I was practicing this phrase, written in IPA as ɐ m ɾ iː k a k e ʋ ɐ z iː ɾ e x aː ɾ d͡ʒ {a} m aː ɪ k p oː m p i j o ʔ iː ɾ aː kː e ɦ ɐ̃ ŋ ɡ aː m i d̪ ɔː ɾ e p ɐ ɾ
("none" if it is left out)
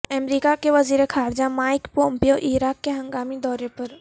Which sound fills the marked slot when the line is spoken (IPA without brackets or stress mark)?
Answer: a